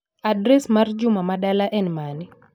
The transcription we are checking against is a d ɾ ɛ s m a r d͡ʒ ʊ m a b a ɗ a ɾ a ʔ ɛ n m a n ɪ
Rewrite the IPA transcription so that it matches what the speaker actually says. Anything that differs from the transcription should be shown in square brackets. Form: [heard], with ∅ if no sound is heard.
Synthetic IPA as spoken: a d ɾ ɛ s m a r d͡ʒ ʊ m a [m] a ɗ a [l] a ʔ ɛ n m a n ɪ

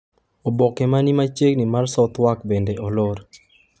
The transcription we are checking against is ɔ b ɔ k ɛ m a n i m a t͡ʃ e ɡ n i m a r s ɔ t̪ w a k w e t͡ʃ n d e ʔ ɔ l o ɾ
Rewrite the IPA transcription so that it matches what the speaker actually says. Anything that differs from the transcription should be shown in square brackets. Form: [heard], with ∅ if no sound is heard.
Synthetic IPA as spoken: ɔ b ɔ k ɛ m a n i m a t͡ʃ e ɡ n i m a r s ɔ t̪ w a k [b] e [∅] n d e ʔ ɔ l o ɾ

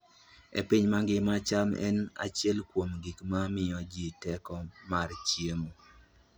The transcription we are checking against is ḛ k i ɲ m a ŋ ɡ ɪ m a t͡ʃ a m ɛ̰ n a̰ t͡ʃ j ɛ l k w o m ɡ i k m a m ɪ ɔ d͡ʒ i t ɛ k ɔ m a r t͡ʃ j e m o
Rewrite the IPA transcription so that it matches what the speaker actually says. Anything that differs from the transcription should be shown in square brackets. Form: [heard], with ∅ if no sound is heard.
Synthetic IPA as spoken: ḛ [p] i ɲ m a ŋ ɡ ɪ m a t͡ʃ a m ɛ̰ n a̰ t͡ʃ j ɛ l k w o m ɡ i k m a m ɪ ɔ d͡ʒ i t ɛ k ɔ m a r t͡ʃ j e m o

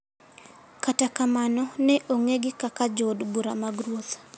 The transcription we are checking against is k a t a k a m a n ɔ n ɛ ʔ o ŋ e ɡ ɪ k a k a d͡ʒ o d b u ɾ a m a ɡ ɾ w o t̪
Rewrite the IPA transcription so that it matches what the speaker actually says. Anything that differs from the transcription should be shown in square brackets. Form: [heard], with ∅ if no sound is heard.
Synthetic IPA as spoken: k a t a k a m a n ɔ n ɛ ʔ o ŋ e ɡ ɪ k a k a d͡ʒ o d b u ɾ a m a ɡ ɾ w o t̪

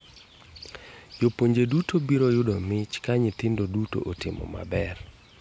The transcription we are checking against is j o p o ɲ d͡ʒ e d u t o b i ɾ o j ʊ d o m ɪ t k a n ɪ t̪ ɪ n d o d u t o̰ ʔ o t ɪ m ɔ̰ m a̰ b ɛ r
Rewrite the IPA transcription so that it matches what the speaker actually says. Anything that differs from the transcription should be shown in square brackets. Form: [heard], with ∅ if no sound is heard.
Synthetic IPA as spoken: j o p o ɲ d͡ʒ e d u t o b i ɾ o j ʊ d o m ɪ [t͡ʃ] k a [ɲ] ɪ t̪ ɪ n d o d u t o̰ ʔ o t ɪ m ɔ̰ m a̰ b ɛ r

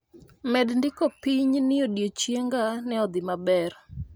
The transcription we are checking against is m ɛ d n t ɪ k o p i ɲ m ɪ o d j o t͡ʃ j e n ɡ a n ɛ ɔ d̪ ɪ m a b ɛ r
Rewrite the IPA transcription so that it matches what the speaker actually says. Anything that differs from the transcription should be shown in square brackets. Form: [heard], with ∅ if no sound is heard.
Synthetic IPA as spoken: m ɛ d n [d] ɪ k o p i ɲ [n] ɪ o d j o t͡ʃ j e [ŋ] ɡ a n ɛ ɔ d̪ ɪ m a b ɛ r

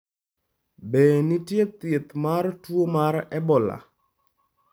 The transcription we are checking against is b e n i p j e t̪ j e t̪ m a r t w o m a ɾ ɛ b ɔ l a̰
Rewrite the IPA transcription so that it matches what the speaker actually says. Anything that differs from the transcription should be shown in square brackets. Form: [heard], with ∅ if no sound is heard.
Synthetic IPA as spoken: b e n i [t] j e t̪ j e t̪ m a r t w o m a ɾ ɛ b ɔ l a̰

